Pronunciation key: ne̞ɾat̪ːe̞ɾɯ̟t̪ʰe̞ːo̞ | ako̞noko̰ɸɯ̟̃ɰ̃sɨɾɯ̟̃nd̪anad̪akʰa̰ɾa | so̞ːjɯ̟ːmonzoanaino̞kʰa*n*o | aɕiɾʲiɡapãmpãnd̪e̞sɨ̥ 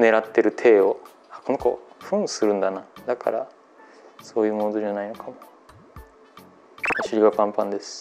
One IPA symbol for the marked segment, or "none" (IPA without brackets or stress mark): m